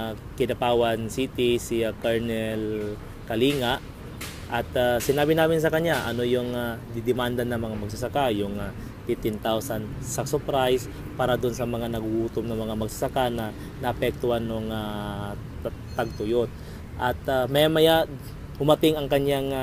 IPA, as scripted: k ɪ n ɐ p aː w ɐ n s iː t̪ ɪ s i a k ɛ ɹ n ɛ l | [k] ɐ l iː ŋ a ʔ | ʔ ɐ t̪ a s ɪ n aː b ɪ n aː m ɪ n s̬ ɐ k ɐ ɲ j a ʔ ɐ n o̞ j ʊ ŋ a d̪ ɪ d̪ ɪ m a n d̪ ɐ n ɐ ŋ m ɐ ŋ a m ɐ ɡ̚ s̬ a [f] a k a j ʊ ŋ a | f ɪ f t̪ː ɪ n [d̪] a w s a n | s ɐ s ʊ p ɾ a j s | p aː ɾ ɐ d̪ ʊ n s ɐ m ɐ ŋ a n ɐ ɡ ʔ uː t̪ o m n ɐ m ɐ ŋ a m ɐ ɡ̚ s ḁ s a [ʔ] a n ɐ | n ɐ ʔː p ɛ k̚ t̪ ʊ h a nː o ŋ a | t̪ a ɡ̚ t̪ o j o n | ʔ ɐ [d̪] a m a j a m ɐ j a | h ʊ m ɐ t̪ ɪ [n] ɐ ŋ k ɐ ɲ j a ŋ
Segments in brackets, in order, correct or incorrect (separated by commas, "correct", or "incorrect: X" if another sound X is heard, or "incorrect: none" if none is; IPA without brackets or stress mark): correct, incorrect: s, incorrect: t̪, incorrect: k, incorrect: t̪, incorrect: ŋ